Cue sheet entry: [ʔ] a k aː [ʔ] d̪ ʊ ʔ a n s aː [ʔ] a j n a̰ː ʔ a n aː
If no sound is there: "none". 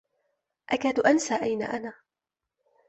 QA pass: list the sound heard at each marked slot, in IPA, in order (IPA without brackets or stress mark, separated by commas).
ʔ, none, ʔ